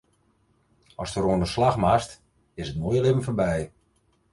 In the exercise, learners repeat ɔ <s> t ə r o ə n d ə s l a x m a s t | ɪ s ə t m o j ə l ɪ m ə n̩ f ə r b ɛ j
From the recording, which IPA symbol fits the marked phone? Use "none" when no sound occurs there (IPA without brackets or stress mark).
s